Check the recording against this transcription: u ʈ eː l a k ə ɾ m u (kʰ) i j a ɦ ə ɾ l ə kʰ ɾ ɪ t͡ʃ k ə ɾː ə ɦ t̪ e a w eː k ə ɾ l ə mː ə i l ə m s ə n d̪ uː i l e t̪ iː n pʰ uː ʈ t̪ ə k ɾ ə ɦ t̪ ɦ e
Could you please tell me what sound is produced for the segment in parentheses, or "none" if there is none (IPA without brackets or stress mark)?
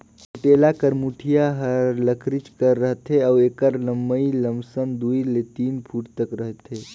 ʈʰ